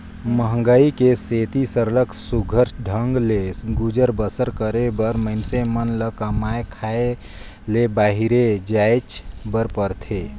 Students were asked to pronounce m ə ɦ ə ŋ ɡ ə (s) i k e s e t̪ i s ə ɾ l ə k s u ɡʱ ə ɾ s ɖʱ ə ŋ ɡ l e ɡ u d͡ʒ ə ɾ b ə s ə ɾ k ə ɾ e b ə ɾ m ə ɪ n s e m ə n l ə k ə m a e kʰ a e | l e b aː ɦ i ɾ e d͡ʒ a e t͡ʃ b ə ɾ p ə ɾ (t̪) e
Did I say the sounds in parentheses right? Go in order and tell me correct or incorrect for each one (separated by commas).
incorrect, incorrect